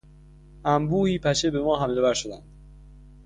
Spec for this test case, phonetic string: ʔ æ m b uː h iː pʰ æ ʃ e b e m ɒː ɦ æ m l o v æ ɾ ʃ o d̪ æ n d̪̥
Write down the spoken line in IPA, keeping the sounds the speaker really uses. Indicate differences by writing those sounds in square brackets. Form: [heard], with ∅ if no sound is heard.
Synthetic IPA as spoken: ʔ æ m b uː h iː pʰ æ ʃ e b e m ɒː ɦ æ m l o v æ ɾ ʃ o d̪ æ n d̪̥